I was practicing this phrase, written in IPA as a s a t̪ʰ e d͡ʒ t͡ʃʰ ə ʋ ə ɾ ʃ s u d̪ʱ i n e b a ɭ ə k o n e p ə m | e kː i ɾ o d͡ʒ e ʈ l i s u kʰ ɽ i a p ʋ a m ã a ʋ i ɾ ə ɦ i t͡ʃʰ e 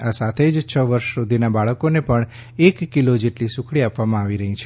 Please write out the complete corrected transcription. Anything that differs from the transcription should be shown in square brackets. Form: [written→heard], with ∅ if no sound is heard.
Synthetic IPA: a s a t̪ʰ e d͡ʒ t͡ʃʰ ə ʋ ə ɾ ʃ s u d̪ʱ i n [e→a] b a ɭ ə k o n e p ə [m→ɳ] | e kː i [ɾ→l] o d͡ʒ e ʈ l i s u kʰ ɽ i a p ʋ a m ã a ʋ i ɾ ə ɦ i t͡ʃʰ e